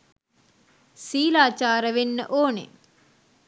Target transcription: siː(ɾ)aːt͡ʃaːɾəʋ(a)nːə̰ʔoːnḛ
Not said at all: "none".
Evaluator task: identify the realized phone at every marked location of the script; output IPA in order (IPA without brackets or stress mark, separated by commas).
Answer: l, e